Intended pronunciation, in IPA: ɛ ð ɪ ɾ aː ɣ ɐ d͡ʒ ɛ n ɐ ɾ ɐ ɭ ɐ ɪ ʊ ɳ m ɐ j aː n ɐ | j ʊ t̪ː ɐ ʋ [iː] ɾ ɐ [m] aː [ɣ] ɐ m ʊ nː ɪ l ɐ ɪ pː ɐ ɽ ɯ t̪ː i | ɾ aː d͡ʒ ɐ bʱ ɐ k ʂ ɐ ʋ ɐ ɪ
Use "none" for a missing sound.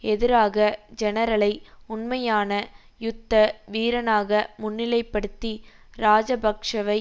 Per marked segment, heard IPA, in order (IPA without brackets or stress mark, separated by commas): iː, n, ɣ